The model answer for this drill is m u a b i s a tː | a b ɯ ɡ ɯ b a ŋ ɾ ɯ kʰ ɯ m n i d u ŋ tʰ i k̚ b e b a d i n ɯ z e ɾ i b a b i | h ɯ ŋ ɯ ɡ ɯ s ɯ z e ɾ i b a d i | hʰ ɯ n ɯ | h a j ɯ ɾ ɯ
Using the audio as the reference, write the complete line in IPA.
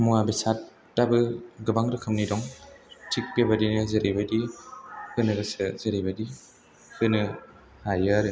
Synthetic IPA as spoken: m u a b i s a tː | a b ɯ ɡ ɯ b a ŋ ɾ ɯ kʰ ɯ m n i d ɔ ŋ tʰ i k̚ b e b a d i n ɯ z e ɾ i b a d i | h ɯ n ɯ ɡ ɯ s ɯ z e ɾ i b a d i | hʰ ɯ n ɯ | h a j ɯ ɾ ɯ